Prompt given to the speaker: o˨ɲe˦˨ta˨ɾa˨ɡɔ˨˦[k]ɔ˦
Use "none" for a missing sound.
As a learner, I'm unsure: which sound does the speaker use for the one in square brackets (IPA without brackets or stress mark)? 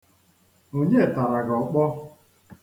k͡p